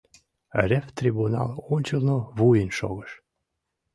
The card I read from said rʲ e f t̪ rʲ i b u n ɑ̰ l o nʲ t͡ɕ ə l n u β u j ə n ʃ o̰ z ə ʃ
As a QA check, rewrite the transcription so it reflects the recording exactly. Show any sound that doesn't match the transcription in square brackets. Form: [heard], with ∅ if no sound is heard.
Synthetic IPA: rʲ e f t̪ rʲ i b u n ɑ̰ l o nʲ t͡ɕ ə l n [o] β u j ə n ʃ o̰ [ɣ] ə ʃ